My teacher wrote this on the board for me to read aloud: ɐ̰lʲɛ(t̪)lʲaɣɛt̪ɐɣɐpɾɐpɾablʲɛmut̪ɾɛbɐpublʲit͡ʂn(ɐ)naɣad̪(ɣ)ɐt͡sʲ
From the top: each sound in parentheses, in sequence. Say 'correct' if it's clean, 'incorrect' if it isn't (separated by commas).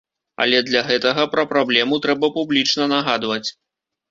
incorrect, correct, incorrect